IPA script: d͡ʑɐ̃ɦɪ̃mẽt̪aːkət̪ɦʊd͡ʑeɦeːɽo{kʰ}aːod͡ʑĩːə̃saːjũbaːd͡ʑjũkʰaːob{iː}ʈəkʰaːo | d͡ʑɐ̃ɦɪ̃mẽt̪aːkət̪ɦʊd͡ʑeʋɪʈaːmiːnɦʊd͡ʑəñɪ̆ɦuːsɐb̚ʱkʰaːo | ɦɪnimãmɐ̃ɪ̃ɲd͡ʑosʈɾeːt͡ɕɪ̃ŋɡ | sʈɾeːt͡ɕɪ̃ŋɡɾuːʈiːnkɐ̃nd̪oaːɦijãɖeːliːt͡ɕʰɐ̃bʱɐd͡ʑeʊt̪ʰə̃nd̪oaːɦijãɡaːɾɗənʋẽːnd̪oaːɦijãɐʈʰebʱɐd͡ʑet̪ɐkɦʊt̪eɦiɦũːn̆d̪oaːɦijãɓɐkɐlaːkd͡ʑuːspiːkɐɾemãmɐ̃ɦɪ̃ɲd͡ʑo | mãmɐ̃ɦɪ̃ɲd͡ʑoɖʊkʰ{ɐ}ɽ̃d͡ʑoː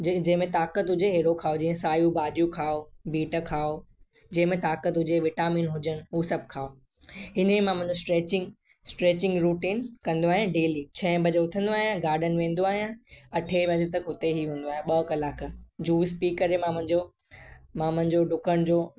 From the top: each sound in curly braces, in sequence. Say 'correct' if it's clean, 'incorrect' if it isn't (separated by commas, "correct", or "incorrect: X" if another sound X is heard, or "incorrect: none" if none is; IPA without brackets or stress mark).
correct, correct, incorrect: ə